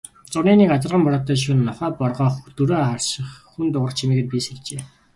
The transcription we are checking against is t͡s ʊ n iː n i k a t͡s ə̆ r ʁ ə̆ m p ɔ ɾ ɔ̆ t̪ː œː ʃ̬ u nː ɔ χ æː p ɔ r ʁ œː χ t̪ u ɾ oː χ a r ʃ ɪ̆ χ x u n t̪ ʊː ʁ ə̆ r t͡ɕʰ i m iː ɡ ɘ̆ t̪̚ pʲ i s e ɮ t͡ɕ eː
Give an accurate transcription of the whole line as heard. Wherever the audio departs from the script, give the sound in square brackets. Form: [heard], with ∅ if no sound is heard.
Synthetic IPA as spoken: t͡s ʊ n iː n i k a t͡s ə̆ r ʁ ə̆ m p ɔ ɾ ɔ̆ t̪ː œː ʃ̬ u nː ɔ χ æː p ɔ r ʁ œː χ t̪ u ɾ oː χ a r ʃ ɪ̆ χ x u n t̪ [ʊ] ʁ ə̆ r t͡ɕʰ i m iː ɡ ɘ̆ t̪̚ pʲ i s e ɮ t͡ɕ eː